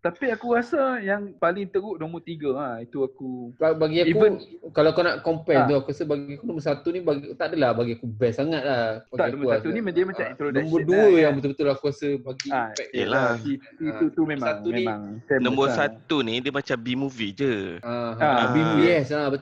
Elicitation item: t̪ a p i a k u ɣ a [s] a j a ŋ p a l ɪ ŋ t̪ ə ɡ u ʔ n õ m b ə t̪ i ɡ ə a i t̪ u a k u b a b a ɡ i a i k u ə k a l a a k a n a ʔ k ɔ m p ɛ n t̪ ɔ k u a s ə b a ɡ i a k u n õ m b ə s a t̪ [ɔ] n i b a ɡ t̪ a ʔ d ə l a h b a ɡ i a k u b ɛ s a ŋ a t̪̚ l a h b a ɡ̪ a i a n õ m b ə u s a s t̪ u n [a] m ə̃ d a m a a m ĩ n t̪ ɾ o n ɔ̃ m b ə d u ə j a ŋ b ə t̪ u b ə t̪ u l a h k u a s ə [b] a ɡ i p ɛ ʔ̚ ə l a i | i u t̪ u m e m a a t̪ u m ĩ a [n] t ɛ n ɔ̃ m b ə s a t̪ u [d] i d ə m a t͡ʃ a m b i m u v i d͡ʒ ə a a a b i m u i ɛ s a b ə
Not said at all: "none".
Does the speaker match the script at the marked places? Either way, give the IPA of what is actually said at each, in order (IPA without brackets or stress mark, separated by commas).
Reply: s, u, i, b, ŋ, n